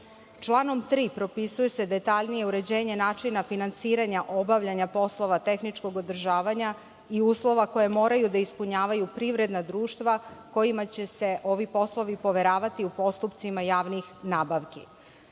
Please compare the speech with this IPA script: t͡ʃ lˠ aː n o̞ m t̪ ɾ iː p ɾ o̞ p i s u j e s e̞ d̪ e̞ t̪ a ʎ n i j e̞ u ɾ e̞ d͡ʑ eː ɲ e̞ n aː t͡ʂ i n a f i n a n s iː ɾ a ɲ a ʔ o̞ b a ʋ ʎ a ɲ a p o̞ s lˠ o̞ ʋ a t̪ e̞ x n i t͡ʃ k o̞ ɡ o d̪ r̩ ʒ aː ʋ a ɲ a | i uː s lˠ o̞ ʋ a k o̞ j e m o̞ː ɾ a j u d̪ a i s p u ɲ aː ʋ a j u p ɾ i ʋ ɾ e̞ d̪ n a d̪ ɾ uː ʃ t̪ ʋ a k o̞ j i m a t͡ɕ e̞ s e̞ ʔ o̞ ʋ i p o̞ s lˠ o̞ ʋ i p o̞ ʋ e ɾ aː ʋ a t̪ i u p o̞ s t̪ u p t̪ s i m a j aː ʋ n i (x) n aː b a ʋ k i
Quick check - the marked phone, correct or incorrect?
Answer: correct